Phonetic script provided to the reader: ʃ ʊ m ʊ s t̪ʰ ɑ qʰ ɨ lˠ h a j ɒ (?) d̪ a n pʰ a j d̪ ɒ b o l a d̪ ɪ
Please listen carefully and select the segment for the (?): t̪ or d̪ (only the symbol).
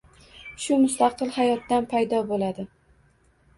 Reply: t̪